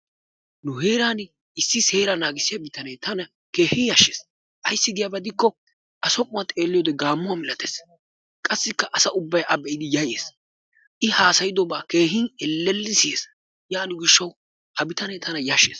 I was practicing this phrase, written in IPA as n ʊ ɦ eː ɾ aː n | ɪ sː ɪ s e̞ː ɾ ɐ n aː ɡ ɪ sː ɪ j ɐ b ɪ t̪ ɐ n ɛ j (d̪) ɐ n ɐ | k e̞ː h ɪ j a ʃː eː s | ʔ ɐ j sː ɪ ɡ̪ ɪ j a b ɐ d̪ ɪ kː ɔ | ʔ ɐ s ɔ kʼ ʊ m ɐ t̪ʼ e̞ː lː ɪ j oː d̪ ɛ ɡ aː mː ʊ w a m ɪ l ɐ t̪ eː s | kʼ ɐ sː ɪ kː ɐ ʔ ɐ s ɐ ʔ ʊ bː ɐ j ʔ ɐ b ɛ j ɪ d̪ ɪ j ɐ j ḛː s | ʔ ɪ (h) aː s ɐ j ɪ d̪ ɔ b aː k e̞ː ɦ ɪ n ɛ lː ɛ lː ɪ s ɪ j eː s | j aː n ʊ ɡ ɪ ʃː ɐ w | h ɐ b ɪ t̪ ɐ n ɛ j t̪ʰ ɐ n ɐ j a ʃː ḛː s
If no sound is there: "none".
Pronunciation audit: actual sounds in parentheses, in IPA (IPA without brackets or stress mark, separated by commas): t̪, h